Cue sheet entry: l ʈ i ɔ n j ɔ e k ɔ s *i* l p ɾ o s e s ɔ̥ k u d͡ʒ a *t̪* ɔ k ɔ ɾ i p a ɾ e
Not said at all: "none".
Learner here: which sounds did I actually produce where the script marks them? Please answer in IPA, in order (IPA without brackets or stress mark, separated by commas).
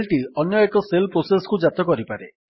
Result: e, t̪